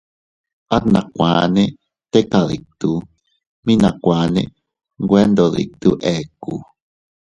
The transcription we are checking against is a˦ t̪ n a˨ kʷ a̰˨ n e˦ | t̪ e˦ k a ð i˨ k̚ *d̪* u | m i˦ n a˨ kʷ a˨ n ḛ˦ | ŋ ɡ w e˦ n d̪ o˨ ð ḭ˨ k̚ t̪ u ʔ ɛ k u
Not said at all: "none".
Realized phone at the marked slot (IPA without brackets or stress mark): t̪